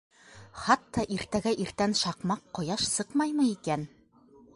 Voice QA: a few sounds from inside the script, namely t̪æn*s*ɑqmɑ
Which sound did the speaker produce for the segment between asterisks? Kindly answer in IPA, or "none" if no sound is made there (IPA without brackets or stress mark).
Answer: ʃ